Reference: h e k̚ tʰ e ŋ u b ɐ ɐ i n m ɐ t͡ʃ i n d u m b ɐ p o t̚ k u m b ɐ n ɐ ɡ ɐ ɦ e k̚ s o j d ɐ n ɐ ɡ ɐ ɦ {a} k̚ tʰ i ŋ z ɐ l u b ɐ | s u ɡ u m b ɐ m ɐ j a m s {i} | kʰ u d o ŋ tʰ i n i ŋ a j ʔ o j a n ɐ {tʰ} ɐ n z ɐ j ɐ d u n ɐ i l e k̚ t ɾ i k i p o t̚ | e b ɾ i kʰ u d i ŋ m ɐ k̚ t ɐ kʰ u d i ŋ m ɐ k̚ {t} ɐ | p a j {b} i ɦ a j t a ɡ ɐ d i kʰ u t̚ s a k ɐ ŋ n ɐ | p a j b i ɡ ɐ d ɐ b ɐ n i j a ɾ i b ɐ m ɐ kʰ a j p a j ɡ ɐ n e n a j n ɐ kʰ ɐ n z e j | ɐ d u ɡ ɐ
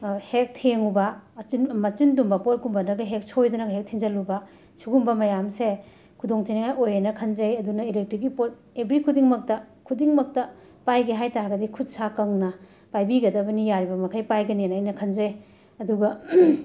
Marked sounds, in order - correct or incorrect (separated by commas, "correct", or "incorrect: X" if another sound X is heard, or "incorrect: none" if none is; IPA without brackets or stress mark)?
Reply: incorrect: e, incorrect: e, incorrect: kʰ, correct, incorrect: ɡ